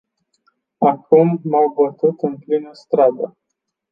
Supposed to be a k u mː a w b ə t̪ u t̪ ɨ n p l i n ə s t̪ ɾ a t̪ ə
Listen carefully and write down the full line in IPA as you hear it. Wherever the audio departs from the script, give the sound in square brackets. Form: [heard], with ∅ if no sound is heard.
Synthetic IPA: a k u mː a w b ə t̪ u t̪ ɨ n p l i n ə s t̪ ɾ a [d̪] ə